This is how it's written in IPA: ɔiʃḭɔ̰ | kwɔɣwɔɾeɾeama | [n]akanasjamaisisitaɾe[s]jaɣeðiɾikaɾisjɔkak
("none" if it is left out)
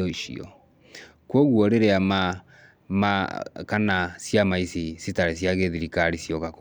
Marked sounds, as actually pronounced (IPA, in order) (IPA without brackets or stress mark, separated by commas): m, s